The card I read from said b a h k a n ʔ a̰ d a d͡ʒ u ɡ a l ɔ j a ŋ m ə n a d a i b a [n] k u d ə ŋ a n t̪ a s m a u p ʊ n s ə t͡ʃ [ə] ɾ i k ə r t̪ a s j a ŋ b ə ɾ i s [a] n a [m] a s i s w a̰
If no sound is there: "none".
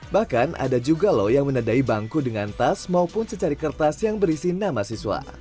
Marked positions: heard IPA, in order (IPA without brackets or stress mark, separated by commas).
ŋ, a, i, m